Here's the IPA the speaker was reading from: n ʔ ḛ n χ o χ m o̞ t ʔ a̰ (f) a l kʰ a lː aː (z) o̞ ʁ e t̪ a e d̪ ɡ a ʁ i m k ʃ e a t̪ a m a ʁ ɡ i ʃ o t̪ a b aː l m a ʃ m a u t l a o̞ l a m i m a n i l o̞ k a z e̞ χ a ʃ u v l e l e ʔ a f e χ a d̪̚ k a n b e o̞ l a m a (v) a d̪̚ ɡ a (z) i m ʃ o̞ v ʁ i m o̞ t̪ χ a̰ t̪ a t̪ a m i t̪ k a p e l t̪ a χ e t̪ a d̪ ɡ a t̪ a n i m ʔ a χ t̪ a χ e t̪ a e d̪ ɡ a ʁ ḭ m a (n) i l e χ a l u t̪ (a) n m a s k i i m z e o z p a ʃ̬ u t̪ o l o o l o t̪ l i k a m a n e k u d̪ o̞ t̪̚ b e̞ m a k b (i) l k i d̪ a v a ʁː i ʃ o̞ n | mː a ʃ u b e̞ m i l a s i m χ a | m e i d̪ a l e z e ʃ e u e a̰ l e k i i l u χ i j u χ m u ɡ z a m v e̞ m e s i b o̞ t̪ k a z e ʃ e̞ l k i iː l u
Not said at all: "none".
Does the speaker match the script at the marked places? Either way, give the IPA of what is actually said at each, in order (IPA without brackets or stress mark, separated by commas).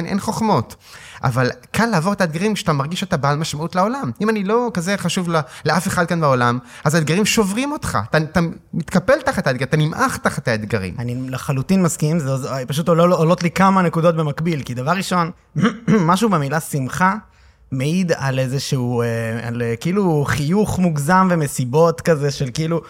v, v, z, ʁ, n, i, i